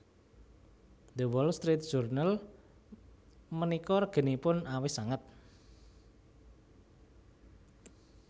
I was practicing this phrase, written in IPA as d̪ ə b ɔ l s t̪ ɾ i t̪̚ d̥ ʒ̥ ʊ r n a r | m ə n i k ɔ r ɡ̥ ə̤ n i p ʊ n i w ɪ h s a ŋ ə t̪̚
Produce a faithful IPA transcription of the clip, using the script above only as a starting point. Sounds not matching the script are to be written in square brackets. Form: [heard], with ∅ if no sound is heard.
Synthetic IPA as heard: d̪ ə [w] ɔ l s t̪ ɾ i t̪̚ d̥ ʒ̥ [u] r n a [l] | m ə n i k ɔ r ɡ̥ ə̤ n i p ʊ n [a] w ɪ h s a ŋ ə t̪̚